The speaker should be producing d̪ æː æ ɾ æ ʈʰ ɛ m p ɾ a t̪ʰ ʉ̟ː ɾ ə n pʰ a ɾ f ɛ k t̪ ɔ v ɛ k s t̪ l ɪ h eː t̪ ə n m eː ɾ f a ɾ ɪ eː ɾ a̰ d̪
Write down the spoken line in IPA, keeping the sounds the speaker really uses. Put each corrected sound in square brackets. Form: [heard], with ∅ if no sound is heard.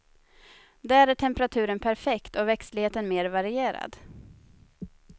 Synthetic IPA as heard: d̪ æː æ ɾ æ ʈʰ ɛ m p ɾ a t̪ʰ ʉ̟ː ɾ ə n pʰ [æ] ɾ f ɛ k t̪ ɔ v ɛ k s t̪ l ɪ h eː t̪ ə n m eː ɾ [v] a ɾ ɪ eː ɾ a̰ d̪